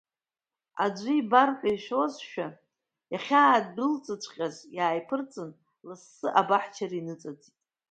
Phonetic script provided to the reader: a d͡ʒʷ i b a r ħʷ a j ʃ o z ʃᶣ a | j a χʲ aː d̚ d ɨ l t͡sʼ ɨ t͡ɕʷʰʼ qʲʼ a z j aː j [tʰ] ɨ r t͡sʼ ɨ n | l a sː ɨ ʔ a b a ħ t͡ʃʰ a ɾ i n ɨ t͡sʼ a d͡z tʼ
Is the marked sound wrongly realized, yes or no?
yes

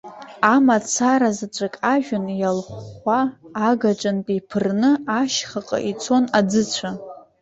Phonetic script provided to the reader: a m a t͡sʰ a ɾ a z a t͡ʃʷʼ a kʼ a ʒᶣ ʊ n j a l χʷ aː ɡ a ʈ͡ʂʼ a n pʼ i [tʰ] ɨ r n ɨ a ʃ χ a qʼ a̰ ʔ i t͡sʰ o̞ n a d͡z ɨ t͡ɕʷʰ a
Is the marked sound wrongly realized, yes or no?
yes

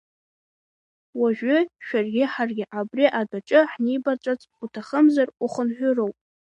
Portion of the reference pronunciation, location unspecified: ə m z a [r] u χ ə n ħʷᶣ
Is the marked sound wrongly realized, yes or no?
no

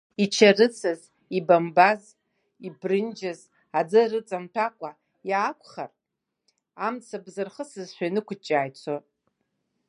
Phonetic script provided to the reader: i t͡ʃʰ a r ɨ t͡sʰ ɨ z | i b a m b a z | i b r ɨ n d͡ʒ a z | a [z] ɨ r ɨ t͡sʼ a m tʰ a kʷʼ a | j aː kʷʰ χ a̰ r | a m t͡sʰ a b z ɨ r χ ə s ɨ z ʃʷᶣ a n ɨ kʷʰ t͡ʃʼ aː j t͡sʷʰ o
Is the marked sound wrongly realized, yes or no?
yes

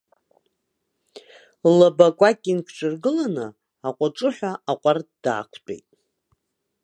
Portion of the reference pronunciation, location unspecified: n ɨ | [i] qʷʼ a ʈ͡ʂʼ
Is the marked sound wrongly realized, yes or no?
yes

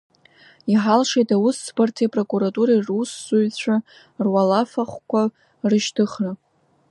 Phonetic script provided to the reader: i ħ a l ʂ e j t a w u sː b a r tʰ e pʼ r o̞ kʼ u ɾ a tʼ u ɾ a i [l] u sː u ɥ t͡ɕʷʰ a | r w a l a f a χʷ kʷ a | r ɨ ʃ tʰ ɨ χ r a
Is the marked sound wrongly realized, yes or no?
yes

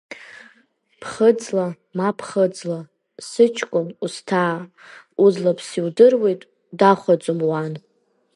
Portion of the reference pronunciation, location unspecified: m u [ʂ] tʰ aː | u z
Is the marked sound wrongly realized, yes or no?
yes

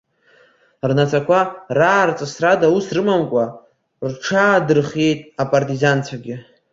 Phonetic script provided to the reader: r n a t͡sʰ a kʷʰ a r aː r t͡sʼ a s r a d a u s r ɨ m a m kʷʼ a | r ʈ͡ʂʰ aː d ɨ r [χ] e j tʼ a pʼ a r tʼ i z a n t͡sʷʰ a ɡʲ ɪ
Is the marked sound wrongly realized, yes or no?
no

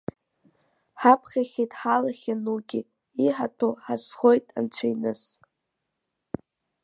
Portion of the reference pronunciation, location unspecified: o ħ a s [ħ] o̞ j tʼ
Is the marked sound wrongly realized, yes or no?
yes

